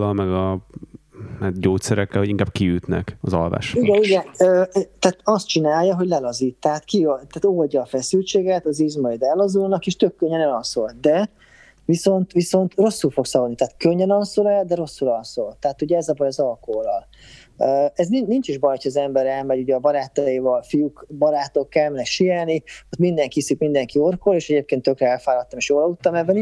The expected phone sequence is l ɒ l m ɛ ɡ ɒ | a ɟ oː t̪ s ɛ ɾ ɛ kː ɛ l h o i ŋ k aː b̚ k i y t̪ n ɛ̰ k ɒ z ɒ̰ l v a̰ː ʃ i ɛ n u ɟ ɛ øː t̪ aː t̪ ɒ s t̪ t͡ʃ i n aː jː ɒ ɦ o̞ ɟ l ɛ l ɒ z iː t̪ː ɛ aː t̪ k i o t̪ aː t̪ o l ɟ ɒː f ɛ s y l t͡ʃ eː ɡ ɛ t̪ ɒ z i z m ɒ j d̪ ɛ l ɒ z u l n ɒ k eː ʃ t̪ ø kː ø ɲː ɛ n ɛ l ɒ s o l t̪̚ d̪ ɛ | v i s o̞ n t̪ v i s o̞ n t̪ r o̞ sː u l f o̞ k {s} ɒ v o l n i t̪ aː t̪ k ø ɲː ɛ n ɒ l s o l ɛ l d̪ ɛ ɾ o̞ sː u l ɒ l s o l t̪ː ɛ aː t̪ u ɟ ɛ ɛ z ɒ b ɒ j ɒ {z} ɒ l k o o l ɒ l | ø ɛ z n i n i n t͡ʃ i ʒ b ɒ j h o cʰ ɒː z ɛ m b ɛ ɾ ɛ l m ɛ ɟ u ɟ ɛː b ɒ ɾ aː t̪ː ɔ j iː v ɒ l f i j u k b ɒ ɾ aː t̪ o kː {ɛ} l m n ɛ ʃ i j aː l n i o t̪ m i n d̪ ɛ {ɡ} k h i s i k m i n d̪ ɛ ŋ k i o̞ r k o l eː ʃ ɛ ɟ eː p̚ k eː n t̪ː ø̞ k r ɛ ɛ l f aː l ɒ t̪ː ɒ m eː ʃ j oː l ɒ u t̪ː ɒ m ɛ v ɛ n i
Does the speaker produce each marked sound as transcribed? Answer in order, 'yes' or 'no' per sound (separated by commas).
yes, yes, yes, no